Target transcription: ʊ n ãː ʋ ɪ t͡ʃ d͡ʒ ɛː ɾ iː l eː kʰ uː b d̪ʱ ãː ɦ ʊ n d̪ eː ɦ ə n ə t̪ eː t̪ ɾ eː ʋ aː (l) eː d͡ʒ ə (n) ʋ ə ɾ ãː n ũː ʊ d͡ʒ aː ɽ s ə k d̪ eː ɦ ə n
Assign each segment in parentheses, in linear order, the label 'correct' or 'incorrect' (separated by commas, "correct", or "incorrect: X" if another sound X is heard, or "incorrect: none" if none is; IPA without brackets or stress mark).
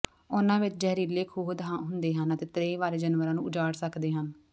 incorrect: ɾ, correct